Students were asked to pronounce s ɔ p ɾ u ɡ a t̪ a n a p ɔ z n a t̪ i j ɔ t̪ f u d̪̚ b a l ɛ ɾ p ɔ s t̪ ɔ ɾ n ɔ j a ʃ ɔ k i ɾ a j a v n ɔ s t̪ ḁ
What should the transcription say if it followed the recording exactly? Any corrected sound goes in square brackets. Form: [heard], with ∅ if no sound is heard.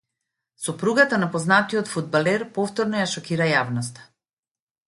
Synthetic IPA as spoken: s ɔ p ɾ u ɡ a t̪ a n a p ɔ z n a t̪ i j ɔ t̪ f u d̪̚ b a l ɛ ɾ p ɔ [f] t̪ ɔ ɾ n ɔ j a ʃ ɔ k i ɾ a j a v n ɔ s t̪ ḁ